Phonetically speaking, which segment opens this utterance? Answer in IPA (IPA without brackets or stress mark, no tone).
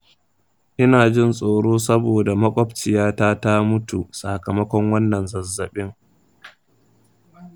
ʔ